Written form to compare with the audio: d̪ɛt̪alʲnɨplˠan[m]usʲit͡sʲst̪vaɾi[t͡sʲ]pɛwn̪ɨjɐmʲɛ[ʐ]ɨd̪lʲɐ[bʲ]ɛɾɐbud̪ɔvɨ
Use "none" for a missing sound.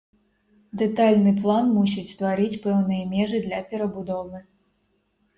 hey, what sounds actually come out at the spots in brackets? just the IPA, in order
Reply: m, t͡sʲ, ʐ, pʲ

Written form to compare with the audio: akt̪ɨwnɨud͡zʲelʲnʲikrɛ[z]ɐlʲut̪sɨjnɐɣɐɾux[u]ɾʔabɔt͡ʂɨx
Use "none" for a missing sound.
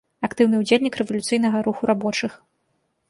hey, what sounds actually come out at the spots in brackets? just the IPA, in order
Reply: v, u

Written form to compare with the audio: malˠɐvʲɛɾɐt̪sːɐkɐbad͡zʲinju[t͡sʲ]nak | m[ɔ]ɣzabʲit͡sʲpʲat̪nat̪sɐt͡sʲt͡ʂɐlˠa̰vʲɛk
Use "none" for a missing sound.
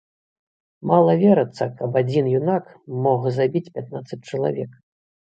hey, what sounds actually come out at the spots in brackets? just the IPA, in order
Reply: none, ɔ

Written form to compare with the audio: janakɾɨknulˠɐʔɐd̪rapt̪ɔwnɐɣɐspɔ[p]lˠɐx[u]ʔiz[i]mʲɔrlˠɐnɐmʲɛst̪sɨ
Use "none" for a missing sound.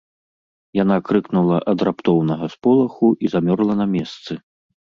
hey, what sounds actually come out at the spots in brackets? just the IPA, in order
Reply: none, u, a

